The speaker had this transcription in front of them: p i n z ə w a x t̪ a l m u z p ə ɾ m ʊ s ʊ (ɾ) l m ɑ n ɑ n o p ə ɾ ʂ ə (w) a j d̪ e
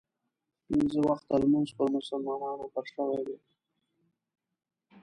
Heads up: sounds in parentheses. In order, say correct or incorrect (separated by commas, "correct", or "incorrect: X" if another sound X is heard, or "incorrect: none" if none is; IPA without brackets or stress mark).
incorrect: none, correct